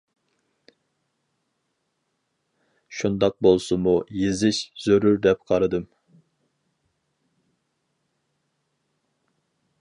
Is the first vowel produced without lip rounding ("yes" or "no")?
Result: no